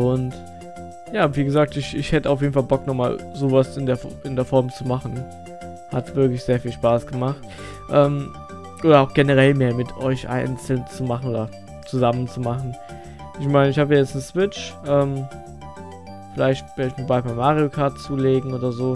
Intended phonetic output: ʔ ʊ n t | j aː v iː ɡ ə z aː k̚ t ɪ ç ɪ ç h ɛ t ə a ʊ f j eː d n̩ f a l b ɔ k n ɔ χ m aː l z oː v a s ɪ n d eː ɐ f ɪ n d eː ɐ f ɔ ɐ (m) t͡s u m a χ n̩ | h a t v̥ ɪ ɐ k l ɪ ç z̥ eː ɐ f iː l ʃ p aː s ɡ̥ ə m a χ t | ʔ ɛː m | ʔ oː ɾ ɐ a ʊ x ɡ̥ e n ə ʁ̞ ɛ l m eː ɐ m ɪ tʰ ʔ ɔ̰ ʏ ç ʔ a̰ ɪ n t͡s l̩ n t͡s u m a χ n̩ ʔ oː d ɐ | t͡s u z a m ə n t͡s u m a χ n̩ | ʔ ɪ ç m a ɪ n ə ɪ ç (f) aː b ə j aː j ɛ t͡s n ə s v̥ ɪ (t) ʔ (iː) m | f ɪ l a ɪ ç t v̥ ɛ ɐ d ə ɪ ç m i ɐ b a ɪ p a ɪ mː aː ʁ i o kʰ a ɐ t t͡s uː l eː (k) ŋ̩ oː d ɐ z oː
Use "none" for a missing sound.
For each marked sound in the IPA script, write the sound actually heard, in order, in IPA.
m, h, t͡ʃ, ɛː, ɡ

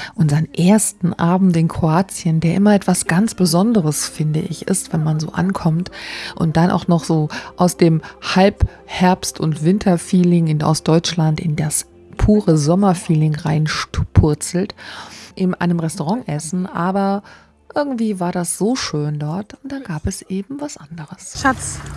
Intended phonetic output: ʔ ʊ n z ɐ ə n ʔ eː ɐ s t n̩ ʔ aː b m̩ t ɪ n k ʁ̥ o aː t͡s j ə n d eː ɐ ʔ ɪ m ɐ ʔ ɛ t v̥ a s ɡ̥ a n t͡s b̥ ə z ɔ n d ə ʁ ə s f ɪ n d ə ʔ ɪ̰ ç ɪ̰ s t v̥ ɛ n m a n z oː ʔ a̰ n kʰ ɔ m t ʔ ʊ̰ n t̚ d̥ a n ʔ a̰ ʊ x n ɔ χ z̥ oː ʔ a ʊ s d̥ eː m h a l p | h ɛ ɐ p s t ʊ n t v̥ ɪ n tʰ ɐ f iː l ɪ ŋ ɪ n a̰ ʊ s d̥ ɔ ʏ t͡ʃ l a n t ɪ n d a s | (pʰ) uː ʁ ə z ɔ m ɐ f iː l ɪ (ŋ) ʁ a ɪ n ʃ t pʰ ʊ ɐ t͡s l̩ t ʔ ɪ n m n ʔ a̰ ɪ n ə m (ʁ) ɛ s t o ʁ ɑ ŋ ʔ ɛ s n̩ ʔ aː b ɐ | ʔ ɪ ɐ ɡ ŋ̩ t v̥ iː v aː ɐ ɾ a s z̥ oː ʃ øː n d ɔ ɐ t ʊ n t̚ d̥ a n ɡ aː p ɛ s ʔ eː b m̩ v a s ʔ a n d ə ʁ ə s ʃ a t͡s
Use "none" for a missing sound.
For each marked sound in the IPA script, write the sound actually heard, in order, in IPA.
pʰ, ŋ, ʁ

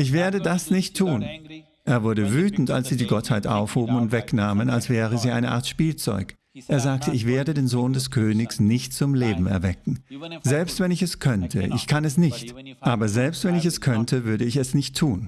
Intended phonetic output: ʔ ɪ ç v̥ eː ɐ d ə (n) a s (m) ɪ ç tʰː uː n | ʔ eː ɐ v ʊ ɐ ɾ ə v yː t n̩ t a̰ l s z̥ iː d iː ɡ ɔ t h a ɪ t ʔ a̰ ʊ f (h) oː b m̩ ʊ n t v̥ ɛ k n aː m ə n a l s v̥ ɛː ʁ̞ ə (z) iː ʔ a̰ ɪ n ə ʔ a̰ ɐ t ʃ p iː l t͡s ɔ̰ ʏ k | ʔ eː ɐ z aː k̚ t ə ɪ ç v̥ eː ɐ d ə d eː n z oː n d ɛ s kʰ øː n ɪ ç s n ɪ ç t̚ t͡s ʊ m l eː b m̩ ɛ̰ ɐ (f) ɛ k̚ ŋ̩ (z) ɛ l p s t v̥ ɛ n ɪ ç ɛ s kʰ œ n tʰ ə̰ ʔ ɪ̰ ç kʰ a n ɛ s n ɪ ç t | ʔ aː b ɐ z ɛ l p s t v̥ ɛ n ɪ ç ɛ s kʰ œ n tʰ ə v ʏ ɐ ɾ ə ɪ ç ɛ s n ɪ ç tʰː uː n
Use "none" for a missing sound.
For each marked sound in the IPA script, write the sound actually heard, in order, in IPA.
d, n, h, z, v, z

